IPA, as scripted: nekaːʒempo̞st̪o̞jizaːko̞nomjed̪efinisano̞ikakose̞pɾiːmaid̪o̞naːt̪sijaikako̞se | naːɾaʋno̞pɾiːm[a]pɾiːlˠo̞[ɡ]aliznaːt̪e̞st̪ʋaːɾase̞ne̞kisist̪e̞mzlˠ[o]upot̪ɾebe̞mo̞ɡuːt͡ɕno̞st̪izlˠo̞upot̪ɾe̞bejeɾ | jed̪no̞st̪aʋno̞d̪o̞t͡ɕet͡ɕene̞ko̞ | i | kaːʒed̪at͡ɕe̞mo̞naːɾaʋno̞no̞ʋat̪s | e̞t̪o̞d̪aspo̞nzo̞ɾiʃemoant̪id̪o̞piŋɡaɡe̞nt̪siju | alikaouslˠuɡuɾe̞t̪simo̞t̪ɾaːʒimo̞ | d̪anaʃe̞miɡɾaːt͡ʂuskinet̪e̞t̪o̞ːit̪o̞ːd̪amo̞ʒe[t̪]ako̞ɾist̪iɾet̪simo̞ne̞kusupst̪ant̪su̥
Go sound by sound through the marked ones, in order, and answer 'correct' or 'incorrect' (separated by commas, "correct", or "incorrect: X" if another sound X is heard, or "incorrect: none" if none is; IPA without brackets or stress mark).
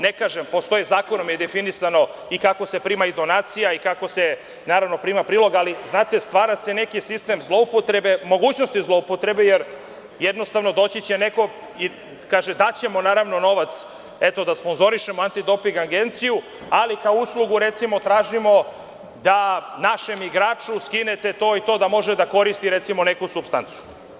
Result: correct, correct, correct, incorrect: d̪